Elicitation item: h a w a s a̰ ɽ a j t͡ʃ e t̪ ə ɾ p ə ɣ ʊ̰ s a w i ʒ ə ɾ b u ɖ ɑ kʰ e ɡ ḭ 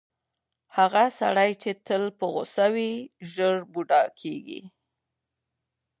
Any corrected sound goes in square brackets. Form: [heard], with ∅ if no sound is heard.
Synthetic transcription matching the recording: h a [ɣ] a s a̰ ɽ a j t͡ʃ e t̪ ə [l] p ə ɣ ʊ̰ s a w i ʒ ə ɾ b u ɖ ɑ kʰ e ɡ ḭ